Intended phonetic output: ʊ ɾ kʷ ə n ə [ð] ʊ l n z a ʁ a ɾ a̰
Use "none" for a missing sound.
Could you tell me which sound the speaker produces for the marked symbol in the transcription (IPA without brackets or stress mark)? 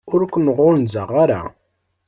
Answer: ʁ